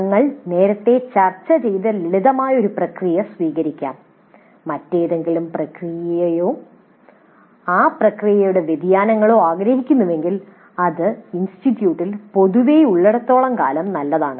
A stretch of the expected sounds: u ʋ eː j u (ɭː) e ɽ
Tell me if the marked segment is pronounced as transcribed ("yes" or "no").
yes